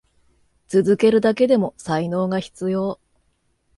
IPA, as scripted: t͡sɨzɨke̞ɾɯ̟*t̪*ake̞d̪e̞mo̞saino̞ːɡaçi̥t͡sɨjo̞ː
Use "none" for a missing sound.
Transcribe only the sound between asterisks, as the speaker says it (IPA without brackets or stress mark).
d̪